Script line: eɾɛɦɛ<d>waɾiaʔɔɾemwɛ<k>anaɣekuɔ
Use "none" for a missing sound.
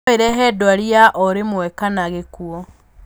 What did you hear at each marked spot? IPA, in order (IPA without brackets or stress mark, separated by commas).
d, k